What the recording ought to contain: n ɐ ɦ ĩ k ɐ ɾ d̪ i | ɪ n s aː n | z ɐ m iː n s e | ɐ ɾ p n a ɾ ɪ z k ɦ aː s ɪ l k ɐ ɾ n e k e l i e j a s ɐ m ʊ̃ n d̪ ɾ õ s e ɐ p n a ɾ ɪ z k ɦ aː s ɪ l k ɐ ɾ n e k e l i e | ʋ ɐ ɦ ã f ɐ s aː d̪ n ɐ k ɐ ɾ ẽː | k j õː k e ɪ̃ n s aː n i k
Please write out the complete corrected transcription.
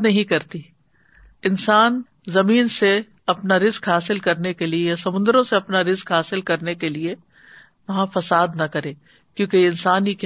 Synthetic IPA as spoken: n ɐ ɦ ĩ k ɐ ɾ t̪ i | ɪ n s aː n | z ɐ m iː n s e | ɐ p n a ɾ ɪ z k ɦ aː s ɪ l k ɐ ɾ n e k e l i e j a s ɐ m ʊ̃ n d̪ ɾ õ s e ɐ p n a ɾ ɪ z k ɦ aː s ɪ l k ɐ ɾ n e k e l i e | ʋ ɐ ɦ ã f ɐ s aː d̪ n ɐ k ɐ ɾ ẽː | k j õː k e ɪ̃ n s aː n i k